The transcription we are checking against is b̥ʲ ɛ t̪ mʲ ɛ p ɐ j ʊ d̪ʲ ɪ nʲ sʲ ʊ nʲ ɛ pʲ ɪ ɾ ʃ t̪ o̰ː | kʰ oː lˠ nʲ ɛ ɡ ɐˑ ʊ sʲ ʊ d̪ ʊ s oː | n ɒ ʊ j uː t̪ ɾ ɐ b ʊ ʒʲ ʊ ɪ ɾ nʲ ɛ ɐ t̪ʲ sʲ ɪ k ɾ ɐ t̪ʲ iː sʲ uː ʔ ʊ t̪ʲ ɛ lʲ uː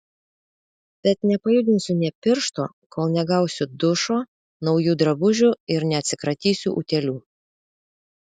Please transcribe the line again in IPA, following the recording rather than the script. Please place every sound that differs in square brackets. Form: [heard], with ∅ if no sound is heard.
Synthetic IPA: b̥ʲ ɛ t̪ [nʲ] ɛ p ɐ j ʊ d̪ʲ ɪ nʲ sʲ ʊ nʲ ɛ pʲ ɪ ɾ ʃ t̪ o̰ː | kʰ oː lˠ nʲ ɛ ɡ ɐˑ ʊ sʲ ʊ d̪ ʊ [ʃ] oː | n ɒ ʊ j uː [d̪] ɾ ɐ b ʊ ʒʲ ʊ ɪ ɾ nʲ ɛ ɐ t̪ʲ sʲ ɪ k ɾ ɐ t̪ʲ iː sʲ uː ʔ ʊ t̪ʲ ɛ lʲ uː